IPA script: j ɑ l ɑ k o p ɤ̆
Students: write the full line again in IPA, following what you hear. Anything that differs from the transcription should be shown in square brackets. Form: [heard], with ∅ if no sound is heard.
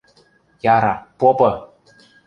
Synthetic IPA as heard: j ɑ [ɾ] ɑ [p] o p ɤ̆